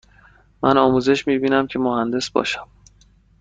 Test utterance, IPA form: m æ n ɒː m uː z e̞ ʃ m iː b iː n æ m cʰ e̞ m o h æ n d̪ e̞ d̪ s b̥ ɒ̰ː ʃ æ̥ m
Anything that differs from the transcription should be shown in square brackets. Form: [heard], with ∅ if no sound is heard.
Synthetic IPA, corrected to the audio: m æ n ɒː m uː z e̞ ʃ m iː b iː n æ m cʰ e̞ m o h æ n d̪ e̞ [∅] s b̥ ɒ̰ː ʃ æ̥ m